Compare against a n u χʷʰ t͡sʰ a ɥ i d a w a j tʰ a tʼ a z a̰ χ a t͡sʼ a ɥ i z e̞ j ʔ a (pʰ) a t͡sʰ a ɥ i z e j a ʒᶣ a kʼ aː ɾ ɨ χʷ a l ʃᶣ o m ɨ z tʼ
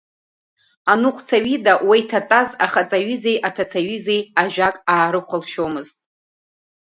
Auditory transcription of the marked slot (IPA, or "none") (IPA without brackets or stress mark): tʰ